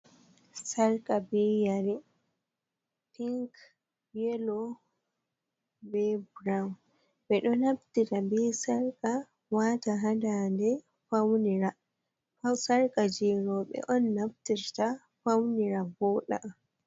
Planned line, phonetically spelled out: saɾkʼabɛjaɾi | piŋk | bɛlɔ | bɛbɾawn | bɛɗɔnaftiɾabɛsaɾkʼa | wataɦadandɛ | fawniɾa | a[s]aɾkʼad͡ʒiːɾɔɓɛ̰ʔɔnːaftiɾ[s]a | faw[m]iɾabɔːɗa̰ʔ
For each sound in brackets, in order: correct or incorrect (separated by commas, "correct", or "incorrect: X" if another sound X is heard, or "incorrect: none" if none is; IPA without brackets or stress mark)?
correct, incorrect: t, incorrect: n